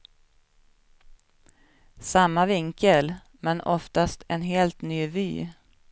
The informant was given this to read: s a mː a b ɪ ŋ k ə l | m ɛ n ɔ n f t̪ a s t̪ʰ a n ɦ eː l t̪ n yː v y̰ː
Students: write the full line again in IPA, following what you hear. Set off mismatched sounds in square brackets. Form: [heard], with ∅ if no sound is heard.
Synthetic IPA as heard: s a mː a [v] ɪ ŋ k ə l | m ɛ n ɔ [∅] f t̪ a s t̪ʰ [ɛ] n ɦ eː l t̪ n yː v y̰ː